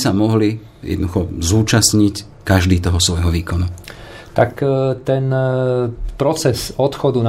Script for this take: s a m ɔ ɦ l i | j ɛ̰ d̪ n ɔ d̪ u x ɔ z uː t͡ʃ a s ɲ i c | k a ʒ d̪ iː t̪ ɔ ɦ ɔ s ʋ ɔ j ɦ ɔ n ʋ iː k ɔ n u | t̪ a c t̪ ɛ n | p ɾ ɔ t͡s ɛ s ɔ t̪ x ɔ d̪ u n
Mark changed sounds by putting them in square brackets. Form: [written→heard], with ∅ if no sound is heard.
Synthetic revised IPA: s a m ɔ ɦ l i | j ɛ̰ d̪ n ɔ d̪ u x ɔ z uː t͡ʃ a s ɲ i c | k a ʒ d̪ iː t̪ ɔ ɦ ɔ s ʋ ɔ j ɦ ɔ [n→∅] ʋ iː k ɔ n u | t̪ a [c→k] t̪ ɛ n | p ɾ ɔ t͡s ɛ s ɔ t̪ x ɔ d̪ u n